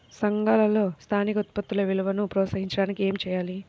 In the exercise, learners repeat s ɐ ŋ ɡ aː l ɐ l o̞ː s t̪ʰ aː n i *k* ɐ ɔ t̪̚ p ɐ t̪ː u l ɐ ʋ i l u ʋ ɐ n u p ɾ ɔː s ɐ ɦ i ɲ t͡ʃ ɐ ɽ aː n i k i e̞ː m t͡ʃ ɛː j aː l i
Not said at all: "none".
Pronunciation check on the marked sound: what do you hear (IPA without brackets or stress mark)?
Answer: k